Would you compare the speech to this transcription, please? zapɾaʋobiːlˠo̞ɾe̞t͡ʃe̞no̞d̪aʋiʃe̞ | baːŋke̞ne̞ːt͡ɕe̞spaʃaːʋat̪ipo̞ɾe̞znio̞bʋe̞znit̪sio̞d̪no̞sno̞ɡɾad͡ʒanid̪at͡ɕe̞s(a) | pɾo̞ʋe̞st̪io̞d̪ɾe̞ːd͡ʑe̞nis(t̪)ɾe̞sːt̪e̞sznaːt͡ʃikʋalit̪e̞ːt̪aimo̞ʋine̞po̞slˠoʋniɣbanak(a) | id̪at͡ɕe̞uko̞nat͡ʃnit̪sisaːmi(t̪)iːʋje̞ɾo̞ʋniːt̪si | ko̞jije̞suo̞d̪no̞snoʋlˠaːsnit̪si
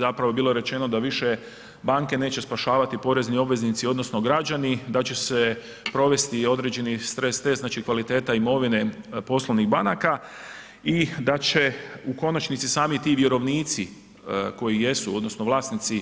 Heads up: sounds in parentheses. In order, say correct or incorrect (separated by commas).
incorrect, correct, correct, correct